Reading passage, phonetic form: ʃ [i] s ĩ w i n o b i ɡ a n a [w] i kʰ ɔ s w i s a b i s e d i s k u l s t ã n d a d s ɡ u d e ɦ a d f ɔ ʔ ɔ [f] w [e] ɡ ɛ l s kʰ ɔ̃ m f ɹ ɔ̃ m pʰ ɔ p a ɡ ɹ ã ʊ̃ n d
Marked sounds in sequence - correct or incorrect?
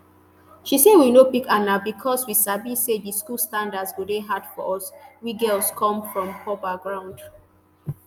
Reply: correct, incorrect: b, incorrect: s, incorrect: i

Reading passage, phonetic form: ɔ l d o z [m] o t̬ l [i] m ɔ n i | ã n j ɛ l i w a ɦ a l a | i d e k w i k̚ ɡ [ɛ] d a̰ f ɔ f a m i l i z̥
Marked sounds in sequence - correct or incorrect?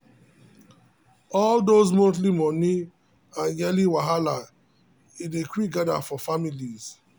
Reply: correct, correct, incorrect: a

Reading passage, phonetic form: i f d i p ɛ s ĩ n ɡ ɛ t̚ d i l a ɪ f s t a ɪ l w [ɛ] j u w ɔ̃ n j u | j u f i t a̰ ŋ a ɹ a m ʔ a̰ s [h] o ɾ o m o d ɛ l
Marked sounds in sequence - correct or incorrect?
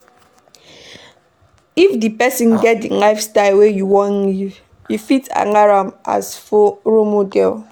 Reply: incorrect: e, incorrect: f

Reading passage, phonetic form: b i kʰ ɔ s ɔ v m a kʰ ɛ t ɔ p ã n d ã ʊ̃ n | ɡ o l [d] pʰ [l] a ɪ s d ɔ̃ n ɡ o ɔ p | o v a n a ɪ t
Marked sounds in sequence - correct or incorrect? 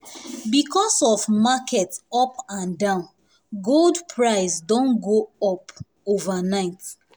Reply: correct, incorrect: ɹ

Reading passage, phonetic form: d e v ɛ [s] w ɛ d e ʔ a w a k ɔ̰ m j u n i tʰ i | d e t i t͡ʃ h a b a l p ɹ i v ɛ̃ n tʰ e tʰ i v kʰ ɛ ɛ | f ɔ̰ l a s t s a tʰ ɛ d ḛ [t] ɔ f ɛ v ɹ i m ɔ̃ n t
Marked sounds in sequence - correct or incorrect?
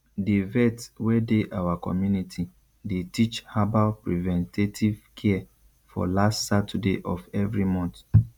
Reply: incorrect: t, incorrect: ʔ

